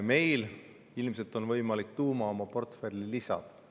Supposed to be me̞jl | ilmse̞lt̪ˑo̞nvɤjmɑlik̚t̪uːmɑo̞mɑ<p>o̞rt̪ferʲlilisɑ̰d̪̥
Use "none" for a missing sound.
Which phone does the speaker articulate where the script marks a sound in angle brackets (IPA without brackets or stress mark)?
p